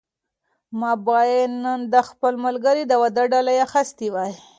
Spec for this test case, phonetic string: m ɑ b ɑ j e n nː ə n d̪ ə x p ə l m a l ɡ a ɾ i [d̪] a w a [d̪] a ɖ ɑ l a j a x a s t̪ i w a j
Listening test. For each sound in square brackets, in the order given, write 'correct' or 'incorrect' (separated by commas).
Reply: correct, correct